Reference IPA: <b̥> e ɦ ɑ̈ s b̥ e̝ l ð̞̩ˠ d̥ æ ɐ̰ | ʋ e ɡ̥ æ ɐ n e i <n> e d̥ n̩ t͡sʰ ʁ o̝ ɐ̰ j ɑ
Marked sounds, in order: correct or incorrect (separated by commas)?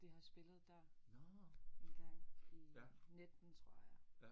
incorrect, correct